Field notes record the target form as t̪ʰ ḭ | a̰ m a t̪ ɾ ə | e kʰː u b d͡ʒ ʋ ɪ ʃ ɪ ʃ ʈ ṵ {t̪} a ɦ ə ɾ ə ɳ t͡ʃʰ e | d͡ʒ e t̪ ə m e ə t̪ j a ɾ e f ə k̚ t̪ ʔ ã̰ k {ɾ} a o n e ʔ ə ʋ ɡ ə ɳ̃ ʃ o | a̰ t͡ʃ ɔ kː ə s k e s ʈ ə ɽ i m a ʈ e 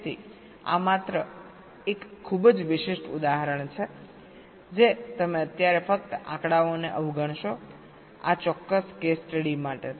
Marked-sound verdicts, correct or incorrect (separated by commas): incorrect, incorrect